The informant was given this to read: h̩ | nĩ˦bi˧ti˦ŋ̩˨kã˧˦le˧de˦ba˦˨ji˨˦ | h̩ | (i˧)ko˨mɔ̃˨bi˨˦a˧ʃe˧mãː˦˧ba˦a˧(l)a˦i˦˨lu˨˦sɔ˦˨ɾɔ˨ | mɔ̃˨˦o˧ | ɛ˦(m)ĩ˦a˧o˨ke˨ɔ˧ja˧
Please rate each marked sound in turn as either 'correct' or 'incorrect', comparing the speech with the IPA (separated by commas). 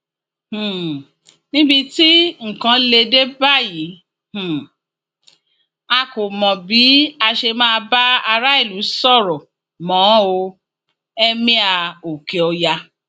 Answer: incorrect, incorrect, correct